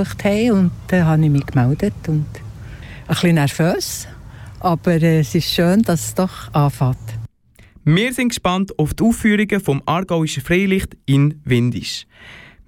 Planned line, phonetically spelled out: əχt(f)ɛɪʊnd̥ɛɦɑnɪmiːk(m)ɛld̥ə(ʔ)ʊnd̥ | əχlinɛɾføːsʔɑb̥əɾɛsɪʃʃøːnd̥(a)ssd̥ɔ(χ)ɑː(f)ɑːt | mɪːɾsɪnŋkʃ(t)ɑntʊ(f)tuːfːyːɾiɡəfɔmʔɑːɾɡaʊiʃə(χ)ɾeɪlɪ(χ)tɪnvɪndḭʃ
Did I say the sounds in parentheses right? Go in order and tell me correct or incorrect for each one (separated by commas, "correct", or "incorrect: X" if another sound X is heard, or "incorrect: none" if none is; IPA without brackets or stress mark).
incorrect: h, correct, incorrect: t, incorrect: ɑ, correct, correct, incorrect: p, correct, incorrect: f, correct